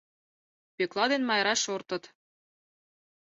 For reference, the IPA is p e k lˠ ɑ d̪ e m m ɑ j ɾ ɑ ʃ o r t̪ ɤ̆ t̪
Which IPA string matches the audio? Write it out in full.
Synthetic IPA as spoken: p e k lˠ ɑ d̪ e n m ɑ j ɾ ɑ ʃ o r t̪ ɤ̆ t̪